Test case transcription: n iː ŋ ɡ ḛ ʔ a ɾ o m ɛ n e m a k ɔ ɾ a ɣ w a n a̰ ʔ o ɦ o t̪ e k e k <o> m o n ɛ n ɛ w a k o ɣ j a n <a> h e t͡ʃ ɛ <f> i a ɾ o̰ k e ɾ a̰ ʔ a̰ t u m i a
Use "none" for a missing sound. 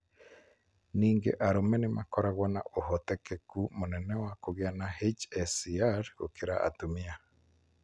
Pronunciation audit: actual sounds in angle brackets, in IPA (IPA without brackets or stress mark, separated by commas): u, a, s